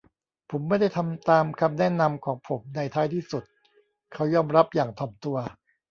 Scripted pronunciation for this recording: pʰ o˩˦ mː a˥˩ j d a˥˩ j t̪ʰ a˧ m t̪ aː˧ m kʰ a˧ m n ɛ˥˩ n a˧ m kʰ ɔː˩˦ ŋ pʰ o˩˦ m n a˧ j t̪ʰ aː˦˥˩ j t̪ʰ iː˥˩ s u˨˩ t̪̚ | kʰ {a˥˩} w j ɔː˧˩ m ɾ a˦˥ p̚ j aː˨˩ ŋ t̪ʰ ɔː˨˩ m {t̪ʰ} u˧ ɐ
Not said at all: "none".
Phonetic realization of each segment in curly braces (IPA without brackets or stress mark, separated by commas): a˦˥, t̪